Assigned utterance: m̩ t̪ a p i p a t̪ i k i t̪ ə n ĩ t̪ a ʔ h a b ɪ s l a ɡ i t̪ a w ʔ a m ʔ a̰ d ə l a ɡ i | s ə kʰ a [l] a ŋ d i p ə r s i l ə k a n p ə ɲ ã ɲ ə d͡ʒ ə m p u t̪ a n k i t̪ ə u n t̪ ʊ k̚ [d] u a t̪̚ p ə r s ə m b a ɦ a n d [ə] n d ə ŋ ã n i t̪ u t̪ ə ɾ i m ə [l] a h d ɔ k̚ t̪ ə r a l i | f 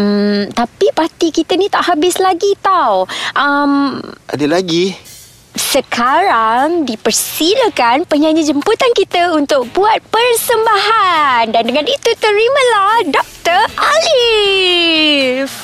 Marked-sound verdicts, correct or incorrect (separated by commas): incorrect, incorrect, incorrect, correct